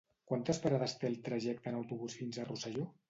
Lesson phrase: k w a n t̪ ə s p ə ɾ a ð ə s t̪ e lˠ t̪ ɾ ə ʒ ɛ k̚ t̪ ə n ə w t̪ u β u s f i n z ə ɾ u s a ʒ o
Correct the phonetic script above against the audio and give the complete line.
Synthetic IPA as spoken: k w a n t̪ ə s p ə ɾ a ð ə s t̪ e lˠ t̪ ɾ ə ʒ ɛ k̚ t̪ ə n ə w t̪ u β u s f i n z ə r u s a ʒ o